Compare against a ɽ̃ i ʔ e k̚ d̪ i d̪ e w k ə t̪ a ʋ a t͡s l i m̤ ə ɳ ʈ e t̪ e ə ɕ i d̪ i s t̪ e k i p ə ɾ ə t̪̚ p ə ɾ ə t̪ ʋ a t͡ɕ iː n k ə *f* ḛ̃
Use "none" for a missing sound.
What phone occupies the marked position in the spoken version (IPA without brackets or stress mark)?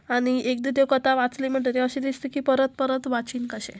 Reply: ɕ